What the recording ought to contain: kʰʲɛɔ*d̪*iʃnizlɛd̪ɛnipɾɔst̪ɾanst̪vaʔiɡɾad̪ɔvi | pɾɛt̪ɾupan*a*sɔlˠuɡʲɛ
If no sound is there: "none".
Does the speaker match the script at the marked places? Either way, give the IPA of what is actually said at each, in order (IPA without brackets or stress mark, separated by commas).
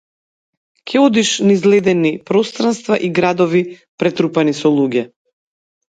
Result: d̪, i